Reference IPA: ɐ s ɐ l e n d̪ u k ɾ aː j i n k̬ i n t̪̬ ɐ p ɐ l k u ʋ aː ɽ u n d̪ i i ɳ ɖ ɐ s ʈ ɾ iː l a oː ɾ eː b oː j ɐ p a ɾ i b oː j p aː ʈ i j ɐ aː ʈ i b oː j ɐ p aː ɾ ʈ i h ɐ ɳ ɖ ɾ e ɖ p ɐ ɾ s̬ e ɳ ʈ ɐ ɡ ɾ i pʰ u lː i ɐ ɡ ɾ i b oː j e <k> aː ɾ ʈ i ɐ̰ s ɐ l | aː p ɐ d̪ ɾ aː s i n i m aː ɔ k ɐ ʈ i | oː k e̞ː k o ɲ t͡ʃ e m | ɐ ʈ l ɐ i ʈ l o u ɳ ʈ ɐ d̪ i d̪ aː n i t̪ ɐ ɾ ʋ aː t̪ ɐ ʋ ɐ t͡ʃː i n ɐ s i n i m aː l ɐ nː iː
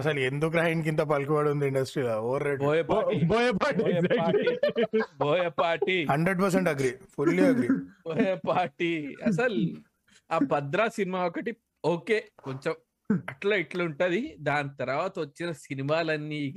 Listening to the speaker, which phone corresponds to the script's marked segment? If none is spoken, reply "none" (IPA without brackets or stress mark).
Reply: p